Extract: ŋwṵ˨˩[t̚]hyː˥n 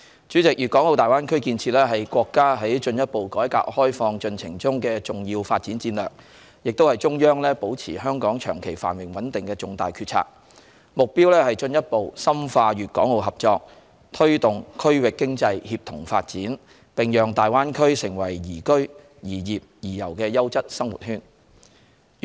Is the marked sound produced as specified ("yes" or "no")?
yes